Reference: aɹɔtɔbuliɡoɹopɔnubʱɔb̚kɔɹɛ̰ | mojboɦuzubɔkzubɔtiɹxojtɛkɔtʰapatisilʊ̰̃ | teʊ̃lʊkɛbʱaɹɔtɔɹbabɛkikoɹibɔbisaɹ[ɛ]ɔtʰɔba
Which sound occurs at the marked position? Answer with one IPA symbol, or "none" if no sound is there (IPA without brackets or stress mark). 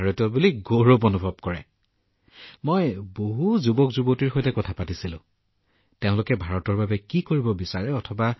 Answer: ɛ